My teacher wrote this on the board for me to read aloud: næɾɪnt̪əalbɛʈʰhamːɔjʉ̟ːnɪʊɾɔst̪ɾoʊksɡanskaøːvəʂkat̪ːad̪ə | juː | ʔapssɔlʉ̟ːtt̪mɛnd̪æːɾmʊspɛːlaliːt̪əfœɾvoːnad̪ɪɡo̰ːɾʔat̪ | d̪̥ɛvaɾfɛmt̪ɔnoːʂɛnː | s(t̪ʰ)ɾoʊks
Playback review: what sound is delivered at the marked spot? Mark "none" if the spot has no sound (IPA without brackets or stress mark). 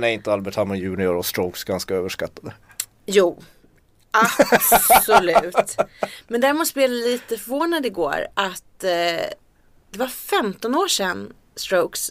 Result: t̪